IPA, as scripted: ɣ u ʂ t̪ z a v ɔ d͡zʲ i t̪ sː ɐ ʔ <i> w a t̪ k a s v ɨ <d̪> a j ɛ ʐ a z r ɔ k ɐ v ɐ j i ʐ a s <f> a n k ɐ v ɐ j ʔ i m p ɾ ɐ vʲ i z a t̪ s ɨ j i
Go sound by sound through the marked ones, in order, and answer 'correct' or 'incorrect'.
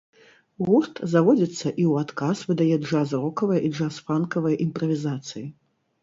correct, correct, correct

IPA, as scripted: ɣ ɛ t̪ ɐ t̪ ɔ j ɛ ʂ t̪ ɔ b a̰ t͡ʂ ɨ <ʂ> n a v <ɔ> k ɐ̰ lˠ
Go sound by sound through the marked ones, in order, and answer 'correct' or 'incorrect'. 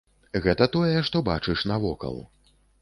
correct, correct

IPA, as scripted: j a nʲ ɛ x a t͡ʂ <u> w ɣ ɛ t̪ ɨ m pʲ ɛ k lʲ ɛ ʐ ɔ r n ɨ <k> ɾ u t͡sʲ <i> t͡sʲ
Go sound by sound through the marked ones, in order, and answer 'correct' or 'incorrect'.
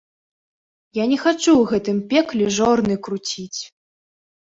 correct, correct, correct

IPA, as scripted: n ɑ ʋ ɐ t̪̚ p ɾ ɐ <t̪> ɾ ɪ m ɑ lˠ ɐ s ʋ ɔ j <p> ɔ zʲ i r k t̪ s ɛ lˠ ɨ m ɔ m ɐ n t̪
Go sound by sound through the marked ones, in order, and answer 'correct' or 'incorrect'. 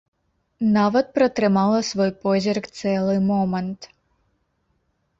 correct, correct

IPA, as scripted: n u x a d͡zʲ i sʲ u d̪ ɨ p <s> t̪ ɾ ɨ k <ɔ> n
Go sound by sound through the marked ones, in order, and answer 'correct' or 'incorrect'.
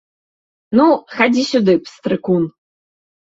correct, incorrect: u

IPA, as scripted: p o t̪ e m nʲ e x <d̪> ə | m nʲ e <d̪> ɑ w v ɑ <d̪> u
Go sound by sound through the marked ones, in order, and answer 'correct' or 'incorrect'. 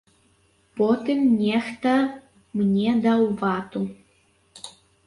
incorrect: t̪, correct, incorrect: t̪

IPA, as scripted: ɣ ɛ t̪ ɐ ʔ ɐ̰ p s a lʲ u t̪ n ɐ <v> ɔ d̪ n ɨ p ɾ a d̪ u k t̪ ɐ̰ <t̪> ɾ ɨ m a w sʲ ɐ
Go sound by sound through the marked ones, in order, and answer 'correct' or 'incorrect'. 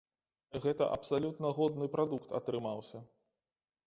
incorrect: ɣ, correct

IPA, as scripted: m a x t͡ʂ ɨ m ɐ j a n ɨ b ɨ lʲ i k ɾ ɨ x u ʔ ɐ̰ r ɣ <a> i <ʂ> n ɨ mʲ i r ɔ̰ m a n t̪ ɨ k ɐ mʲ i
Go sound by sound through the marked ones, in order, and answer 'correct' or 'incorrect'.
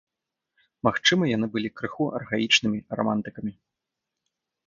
correct, incorrect: t͡ʂ

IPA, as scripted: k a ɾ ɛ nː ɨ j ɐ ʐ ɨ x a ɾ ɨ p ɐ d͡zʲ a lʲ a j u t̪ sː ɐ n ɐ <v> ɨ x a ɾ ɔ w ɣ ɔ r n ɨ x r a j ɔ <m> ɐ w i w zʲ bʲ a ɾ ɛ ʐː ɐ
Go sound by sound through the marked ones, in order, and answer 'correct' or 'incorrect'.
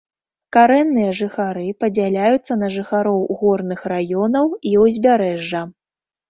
incorrect: ʐ, incorrect: n

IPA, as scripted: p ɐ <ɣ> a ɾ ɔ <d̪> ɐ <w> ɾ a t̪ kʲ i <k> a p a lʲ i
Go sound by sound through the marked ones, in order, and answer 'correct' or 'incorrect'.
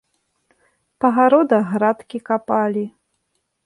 correct, correct, incorrect: ɣ, correct

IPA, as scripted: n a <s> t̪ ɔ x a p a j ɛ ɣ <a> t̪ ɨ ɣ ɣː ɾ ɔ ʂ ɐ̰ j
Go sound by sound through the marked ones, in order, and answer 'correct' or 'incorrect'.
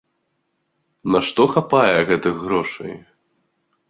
incorrect: ʂ, incorrect: ɛ

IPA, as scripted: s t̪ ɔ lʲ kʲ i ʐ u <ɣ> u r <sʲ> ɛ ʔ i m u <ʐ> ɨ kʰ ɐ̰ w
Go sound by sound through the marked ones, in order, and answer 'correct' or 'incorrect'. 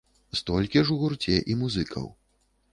correct, incorrect: t͡sʲ, incorrect: z

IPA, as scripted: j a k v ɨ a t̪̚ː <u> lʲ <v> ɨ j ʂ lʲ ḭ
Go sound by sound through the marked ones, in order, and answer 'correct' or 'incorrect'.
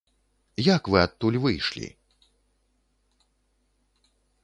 correct, correct

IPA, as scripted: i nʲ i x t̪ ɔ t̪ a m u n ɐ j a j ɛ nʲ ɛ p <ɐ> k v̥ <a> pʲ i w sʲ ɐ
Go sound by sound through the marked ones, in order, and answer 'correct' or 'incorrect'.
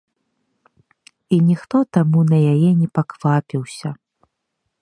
incorrect: a, correct

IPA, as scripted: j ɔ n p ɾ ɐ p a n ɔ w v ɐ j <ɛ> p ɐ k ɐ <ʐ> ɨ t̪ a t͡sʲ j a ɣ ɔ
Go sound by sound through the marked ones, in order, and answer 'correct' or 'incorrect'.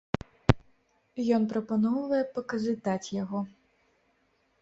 correct, incorrect: z

